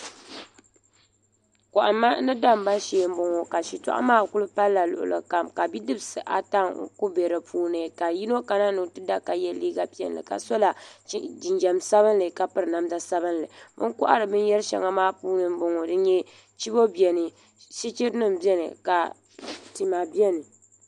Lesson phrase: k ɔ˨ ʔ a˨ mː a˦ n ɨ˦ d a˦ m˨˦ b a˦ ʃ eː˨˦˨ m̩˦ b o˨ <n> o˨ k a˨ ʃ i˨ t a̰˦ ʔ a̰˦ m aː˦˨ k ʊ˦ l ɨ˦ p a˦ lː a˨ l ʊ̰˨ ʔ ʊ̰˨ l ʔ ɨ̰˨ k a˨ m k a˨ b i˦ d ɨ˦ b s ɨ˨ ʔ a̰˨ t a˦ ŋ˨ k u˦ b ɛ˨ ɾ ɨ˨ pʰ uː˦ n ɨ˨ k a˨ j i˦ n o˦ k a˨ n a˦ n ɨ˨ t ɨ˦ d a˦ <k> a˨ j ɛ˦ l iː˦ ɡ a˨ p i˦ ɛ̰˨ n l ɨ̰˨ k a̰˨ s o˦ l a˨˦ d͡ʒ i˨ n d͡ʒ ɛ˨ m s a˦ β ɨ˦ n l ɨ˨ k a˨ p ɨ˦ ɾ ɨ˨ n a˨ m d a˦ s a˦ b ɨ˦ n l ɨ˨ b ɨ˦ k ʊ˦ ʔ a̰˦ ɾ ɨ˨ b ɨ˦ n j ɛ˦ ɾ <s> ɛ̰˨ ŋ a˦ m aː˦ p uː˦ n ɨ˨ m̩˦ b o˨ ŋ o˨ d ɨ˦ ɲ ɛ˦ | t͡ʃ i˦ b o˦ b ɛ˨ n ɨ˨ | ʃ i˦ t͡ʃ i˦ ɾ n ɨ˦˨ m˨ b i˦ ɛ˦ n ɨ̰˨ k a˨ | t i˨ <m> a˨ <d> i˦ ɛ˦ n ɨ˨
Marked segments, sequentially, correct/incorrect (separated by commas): incorrect, correct, incorrect, correct, incorrect